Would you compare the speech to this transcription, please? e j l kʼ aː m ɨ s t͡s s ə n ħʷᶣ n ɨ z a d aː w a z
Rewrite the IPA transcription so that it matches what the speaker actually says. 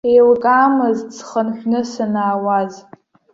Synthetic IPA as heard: e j l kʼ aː m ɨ z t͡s χ ə n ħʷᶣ n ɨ s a n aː w a z